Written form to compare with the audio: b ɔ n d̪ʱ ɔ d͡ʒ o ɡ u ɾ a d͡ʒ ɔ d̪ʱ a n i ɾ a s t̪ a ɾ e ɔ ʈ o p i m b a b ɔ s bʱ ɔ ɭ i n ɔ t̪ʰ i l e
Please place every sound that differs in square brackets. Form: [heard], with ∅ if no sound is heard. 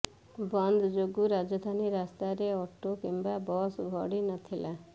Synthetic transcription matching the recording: b ɔ n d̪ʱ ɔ d͡ʒ o ɡ u ɾ a d͡ʒ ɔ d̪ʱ a n i ɾ a s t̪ a ɾ e ɔ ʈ o [k] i m b a b ɔ s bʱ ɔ [ɽ] i n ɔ t̪ʰ i l [a]